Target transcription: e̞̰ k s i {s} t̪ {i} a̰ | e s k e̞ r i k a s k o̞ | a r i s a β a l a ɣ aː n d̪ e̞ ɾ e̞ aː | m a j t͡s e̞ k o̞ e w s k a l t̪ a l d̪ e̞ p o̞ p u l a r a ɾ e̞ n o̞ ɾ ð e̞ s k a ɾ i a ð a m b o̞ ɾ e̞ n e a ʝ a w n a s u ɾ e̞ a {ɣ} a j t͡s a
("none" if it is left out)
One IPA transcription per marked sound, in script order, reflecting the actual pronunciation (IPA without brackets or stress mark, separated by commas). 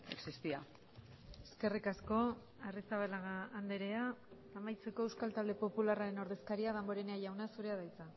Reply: s, i, ð